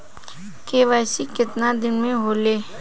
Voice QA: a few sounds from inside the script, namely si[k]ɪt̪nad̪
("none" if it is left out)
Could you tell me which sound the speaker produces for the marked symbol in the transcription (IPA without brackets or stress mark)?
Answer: k